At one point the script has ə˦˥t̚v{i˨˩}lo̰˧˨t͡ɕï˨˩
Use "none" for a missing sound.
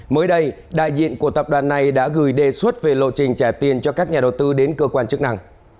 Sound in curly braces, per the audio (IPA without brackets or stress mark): e˨˩